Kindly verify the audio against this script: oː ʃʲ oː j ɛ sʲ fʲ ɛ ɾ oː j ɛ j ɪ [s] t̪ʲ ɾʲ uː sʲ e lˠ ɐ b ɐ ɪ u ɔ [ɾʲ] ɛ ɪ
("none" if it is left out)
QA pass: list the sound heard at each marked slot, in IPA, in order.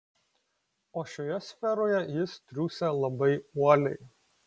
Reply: s, lʲ

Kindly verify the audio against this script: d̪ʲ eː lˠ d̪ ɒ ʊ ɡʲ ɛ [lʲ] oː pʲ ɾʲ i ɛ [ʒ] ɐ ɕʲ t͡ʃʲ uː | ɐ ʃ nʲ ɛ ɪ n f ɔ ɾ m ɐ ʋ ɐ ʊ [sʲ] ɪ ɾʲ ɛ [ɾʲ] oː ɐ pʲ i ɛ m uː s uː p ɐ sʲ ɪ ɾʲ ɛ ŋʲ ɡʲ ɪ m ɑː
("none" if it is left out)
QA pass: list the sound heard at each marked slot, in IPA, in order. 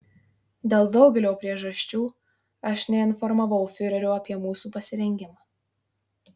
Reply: lʲ, ʒ, fʲ, ɾʲ

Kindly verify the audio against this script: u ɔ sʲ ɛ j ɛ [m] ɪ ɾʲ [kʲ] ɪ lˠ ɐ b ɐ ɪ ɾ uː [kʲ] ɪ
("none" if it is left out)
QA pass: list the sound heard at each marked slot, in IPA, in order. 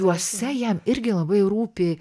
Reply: m, ɡʲ, pʲ

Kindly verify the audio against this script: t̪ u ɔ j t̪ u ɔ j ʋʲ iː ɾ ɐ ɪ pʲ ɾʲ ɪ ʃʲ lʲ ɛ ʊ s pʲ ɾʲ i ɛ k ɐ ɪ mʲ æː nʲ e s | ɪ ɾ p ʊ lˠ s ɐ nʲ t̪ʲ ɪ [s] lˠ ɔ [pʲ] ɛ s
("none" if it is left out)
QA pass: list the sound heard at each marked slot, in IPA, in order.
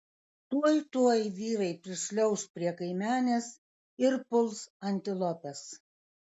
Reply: none, pʲ

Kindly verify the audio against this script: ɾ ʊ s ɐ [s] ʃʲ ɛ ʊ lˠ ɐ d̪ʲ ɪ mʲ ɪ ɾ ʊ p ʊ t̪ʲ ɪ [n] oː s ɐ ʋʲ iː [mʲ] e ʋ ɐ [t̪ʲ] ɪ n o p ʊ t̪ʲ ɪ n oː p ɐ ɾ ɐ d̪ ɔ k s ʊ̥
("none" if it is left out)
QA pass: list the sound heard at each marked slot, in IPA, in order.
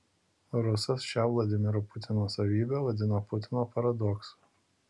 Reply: s, n, bʲ, d̪ʲ

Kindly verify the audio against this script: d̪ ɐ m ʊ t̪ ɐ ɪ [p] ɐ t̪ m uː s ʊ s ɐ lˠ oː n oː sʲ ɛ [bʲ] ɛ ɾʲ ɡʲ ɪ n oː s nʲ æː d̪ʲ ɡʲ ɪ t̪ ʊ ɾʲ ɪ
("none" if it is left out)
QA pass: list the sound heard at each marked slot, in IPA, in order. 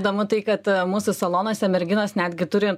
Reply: k, mʲ

